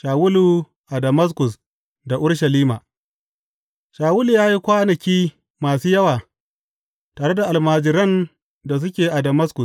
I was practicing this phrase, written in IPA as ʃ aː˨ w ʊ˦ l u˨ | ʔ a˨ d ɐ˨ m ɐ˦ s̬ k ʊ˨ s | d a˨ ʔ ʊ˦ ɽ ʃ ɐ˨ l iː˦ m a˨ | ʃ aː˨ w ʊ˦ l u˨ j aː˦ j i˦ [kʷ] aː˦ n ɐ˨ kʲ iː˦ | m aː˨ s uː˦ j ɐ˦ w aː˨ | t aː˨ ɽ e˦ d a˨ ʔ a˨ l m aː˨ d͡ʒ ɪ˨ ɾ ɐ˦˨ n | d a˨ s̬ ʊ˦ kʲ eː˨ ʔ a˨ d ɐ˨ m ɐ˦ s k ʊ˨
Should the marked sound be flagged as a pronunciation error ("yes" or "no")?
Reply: no